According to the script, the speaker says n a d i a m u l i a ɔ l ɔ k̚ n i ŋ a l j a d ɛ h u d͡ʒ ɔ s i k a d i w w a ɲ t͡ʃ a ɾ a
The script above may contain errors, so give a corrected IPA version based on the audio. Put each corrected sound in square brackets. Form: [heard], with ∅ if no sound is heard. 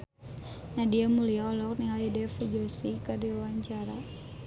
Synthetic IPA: n a d i a m u l i a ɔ l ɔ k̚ n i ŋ a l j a d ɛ [f] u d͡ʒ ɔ s i k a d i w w a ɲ t͡ʃ a ɾ a